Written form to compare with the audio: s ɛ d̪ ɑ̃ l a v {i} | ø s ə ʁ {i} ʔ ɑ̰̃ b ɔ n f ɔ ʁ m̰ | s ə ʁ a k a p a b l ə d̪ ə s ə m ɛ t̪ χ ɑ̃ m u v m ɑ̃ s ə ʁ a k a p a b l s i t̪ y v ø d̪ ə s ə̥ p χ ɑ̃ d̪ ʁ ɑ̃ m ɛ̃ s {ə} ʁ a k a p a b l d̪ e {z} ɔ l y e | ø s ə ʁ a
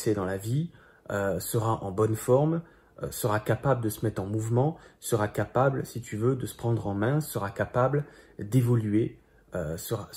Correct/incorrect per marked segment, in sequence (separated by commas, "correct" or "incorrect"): correct, incorrect, correct, incorrect